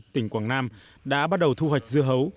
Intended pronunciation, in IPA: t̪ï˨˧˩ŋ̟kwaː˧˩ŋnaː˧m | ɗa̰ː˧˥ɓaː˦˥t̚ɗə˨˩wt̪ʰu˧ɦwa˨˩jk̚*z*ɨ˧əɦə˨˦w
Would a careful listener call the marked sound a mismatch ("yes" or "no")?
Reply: no